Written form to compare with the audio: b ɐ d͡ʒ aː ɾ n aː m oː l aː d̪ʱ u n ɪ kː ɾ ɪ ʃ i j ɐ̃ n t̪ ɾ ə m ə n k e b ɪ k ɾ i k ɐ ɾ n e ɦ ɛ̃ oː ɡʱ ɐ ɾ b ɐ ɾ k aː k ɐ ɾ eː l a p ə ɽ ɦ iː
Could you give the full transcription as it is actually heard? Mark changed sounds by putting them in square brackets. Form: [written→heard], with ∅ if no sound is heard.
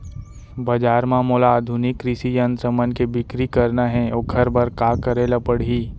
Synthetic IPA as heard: b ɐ d͡ʒ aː ɾ [n→m] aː m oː l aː d̪ʱ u n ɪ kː ɾ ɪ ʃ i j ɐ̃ n t̪ ɾ ə m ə n k e b ɪ k ɾ i k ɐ ɾ n [e→a] ɦ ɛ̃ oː ɡʱ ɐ ɾ b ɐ ɾ k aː k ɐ ɾ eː l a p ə ɽ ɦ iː

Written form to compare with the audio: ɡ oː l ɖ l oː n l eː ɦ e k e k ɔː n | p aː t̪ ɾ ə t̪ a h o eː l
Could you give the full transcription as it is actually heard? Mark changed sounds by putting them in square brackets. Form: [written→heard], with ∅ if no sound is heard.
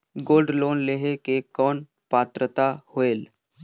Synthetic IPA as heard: ɡ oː l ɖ l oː n l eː ɦ e k e k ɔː n | p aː t̪ ɾ ə t̪ a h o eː l

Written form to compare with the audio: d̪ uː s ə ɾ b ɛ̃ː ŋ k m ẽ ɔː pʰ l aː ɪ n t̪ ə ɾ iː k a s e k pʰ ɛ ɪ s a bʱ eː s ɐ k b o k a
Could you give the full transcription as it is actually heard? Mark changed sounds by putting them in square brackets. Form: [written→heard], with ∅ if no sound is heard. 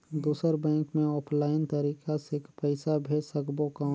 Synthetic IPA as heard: d̪ uː s ə ɾ b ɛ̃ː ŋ k m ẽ ɔː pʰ l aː ɪ n t̪ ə ɾ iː k a s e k [pʰ→p] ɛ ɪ s a bʱ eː s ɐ k b o k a

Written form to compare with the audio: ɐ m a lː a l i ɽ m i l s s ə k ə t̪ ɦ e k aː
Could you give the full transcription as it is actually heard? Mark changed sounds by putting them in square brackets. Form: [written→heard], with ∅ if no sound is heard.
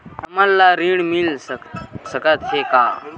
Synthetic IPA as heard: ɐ m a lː a [l→ɾ] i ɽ m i l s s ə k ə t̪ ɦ e k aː

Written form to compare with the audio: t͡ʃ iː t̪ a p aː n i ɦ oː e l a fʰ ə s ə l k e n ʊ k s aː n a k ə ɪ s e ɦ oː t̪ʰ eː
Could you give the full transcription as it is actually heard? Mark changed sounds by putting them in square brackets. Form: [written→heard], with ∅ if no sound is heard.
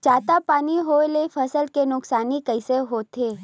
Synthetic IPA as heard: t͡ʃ [iː→aː] t̪ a p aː n i ɦ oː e l [a→e] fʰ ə s ə l k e n ʊ k s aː n [a→i] k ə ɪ s e ɦ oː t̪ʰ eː

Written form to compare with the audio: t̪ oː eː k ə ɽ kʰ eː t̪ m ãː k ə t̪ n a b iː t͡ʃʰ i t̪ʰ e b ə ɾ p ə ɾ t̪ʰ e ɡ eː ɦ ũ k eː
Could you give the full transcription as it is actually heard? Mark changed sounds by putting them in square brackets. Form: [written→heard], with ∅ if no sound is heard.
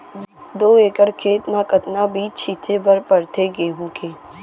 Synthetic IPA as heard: [t̪→d̪] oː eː k ə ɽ kʰ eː t̪ m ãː k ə t̪ n a b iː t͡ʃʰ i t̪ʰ e b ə ɾ p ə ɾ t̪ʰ e ɡ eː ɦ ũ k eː

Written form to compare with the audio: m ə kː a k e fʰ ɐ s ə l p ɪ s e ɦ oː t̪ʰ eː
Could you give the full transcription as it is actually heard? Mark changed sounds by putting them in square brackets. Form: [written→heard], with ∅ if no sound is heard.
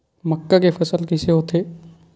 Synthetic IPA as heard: m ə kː a k e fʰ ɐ s ə l [p→k] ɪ s e ɦ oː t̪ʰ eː

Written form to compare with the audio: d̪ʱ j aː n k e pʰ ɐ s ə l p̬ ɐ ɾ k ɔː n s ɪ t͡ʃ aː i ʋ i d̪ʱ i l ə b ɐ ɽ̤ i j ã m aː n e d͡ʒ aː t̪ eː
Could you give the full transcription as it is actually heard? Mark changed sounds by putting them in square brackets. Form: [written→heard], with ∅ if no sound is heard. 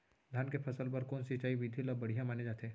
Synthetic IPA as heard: d̪ʱ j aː n k e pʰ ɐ s ə l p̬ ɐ ɾ k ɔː n s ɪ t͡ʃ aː i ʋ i d̪ʱ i l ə b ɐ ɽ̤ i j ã m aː n e d͡ʒ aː t̪ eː

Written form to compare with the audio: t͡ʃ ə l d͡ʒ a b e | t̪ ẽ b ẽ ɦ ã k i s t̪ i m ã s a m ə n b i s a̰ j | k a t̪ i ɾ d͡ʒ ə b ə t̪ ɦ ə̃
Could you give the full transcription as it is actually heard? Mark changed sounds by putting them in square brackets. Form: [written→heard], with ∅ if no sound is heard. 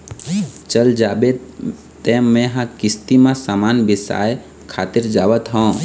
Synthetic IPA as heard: t͡ʃ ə l d͡ʒ a b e | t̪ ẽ [b→m] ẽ ɦ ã k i s t̪ i m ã s a m [ə→a] n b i s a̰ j | [k→kʰ] a t̪ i ɾ d͡ʒ [ə→a] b ə t̪ ɦ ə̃

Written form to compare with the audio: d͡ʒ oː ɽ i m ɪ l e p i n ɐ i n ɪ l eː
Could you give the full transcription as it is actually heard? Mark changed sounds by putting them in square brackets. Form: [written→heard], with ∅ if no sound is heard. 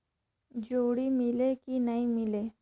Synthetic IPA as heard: d͡ʒ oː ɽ i m ɪ l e [p→k] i n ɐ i [n→m] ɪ l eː

